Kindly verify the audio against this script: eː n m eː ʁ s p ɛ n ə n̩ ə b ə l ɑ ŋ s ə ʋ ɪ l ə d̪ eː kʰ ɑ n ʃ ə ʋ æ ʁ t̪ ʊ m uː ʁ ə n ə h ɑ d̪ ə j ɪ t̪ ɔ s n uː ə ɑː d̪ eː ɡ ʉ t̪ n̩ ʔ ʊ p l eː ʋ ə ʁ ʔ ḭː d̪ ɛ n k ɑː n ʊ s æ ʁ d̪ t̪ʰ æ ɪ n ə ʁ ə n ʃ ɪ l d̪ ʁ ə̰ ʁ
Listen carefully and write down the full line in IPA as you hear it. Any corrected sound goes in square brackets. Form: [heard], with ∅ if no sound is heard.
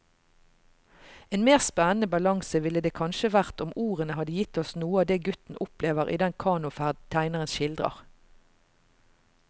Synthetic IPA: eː n m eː ʁ s p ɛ n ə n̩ ə b [ɑ] l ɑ ŋ s ə ʋ ɪ l ə d̪ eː kʰ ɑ n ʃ ə ʋ æ ʁ t̪ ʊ m uː ʁ ə n ə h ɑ d̪ ə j ɪ t̪ ɔ s n uː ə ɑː d̪ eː ɡ ʉ t̪ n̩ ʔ ʊ p l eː ʋ ə ʁ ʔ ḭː d̪ ɛ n [kʰ] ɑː n ʊ [f] æ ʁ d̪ t̪ʰ æ ɪ n ə ʁ ə n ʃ ɪ l d̪ ʁ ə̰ ʁ